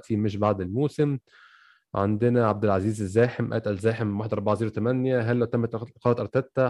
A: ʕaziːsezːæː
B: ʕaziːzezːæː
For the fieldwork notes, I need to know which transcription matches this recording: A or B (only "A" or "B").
B